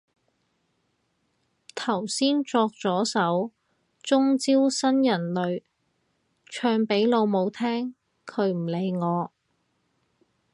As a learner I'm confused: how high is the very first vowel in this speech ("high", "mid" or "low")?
low